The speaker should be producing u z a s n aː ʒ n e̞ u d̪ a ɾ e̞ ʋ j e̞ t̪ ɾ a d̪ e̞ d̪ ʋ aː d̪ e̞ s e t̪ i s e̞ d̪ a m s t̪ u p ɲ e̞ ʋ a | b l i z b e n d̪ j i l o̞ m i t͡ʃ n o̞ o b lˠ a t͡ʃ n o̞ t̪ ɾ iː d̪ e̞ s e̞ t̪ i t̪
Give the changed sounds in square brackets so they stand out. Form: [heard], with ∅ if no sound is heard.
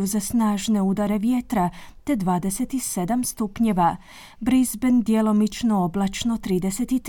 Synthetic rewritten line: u z a s n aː ʒ n e̞ u d̪ a ɾ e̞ ʋ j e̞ t̪ ɾ a [t̪] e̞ d̪ ʋ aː d̪ e̞ s e t̪ i s e̞ d̪ a m s t̪ u p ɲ e̞ ʋ a | b [ɾ] i z b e n d̪ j [e] l o̞ m i t͡ʃ n o̞ o b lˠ a t͡ʃ n o̞ t̪ ɾ iː d̪ e̞ s e̞ t̪ i t̪